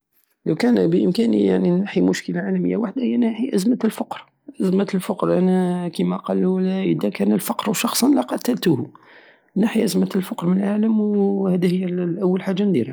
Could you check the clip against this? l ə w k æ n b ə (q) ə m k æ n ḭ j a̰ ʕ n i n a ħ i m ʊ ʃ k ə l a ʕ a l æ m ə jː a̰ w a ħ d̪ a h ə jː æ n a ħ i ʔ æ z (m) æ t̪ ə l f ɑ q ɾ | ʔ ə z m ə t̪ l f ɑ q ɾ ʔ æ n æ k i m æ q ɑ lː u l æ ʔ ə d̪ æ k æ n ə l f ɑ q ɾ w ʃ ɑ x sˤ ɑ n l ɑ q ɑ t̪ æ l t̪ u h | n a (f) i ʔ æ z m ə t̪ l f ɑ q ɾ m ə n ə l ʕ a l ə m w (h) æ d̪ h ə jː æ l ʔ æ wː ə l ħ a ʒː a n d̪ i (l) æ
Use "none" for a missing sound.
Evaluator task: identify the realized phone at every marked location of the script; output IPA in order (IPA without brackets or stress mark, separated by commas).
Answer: ʔ, m, ħ, h, ɾ